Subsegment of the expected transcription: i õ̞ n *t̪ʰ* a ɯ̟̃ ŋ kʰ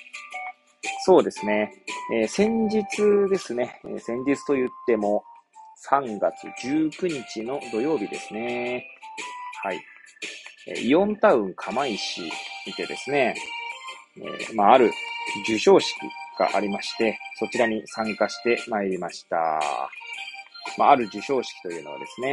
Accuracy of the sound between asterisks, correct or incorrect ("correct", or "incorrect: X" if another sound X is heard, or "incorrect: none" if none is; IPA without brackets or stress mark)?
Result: incorrect: t̪